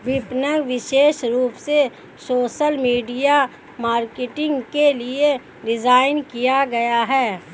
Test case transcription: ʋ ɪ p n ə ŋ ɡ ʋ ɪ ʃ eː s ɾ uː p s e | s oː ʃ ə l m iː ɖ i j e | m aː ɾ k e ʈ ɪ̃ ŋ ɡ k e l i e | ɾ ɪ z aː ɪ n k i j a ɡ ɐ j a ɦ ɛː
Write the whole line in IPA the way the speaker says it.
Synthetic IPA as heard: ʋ ɪ p n ə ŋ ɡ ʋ ɪ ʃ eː ʃ ɾ uː p s e | s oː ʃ ə l m iː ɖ i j a | m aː ɾ k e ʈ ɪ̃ ŋ ɡ k e l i e | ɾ ɪ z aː ɪ n k i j a ɡ ɐ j a ɦ ɛː